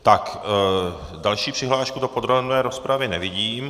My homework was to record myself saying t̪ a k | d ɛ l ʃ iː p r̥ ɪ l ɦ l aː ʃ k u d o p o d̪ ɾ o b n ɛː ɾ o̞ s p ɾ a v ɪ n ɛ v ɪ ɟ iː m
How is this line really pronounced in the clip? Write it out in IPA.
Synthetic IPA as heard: t̪ a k | d a l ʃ iː p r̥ ɪ ɦ l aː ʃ k u d o p o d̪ ɾ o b n ɛː ɾ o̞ s p ɾ a v ɪ n ɛ v ɪ ɟ iː m